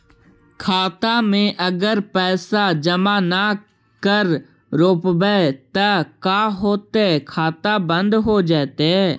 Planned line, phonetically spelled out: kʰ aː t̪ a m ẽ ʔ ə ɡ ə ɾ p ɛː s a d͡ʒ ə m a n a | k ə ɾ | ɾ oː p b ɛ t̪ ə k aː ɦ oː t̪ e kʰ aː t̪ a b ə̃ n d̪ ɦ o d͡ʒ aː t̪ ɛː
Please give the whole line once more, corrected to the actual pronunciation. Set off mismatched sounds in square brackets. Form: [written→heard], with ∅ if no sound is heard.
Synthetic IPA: kʰ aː t̪ a m ẽ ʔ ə ɡ ə ɾ p ɛː s a d͡ʒ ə m a n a | k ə ɾ | ɾ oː p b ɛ t̪ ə k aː ɦ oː t̪ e kʰ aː t̪ a b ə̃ n d̪ ɦ o d͡ʒ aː t̪ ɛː

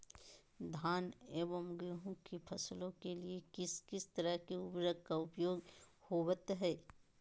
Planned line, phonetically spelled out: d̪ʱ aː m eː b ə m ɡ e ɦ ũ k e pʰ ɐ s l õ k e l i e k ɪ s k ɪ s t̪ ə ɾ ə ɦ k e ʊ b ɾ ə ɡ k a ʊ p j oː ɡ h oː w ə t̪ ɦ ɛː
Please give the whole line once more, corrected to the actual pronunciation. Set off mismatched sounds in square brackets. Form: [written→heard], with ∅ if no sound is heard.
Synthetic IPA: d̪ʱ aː [m→n] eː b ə m ɡ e ɦ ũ k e pʰ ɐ s l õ k e l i e k ɪ s k ɪ s t̪ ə ɾ ə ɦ k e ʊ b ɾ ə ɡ k a ʊ p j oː ɡ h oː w ə t̪ ɦ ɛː

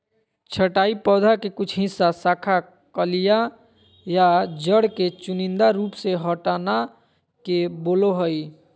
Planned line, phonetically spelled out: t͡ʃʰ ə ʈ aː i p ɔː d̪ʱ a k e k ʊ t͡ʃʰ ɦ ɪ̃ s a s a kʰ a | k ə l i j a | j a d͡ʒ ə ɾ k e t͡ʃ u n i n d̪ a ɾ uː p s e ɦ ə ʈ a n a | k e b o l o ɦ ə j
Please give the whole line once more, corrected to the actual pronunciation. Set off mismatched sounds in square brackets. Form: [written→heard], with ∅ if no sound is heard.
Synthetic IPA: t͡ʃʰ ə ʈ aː i p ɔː d̪ʱ a k e k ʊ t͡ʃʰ ɦ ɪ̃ s a s a kʰ a | k ə l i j a | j a d͡ʒ ə [ɾ→ɽ] k e t͡ʃ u n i n d̪ a ɾ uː p s e ɦ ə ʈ a n a | k e b o l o ɦ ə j

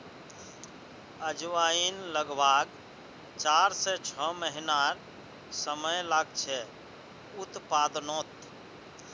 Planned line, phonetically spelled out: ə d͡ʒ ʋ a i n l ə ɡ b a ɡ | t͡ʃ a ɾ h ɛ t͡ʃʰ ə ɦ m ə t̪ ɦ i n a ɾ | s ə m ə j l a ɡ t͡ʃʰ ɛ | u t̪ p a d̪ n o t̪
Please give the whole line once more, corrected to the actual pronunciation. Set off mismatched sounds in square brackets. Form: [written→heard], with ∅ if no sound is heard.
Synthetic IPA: ə d͡ʒ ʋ a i n l ə ɡ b a ɡ | t͡ʃ a ɾ [h→s] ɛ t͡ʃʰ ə [ɦ→∅] m ə [t̪→∅] ɦ i n a ɾ | s ə m ə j l a ɡ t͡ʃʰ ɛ | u t̪ p a d̪ n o t̪

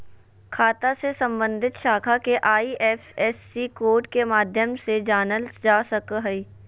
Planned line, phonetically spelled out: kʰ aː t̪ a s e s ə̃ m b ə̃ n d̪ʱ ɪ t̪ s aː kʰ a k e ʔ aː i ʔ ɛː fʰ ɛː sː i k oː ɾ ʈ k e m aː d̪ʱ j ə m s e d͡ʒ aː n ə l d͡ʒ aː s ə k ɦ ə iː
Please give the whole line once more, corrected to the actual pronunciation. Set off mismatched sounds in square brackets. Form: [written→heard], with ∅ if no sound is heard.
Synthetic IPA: kʰ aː t̪ a s e s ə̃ m b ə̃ n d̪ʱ ɪ t̪ [s→ʃ] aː kʰ a k e ʔ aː i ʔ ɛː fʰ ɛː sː i k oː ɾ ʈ k e m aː d̪ʱ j ə m s e d͡ʒ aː n ə l d͡ʒ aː s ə k ɦ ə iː

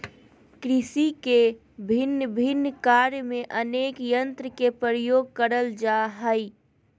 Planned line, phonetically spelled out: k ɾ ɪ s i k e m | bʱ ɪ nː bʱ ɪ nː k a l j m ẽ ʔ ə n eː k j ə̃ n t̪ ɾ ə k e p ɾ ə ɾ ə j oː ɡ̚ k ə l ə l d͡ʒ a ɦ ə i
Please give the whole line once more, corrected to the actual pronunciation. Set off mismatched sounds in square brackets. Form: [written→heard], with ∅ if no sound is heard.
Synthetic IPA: k ɾ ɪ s i k e [m→∅] | bʱ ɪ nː bʱ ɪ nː k a [l→ɾ] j m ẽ ʔ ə n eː k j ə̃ n t̪ ɾ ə k e p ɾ ə ɾ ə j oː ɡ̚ k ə [l→ɾ] ə l d͡ʒ a ɦ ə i

